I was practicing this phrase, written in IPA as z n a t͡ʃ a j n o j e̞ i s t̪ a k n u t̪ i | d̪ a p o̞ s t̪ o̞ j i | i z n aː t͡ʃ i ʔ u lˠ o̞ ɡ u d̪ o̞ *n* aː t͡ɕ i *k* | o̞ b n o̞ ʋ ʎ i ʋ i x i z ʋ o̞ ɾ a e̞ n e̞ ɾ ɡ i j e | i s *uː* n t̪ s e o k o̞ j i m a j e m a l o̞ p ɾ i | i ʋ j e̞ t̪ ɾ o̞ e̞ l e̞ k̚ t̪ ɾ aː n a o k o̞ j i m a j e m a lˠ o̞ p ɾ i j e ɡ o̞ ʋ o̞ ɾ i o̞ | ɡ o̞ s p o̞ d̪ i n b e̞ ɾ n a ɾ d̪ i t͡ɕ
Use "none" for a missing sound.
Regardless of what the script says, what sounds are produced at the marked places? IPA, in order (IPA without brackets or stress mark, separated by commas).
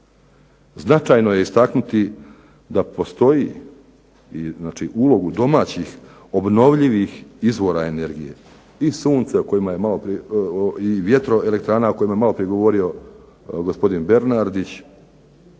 m, x, uː